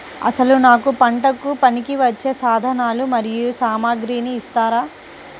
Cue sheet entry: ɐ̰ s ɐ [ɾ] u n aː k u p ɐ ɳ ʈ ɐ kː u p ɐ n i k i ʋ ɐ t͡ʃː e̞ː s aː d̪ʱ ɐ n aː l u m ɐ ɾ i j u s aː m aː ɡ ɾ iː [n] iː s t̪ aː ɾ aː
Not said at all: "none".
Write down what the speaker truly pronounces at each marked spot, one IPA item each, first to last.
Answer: l, n

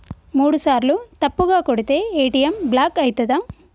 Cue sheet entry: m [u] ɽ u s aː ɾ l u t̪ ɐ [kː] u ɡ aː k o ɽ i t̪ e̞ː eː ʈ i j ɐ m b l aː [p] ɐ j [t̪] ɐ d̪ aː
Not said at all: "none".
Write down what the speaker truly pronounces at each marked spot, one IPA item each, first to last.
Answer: uː, pː, k, t̪

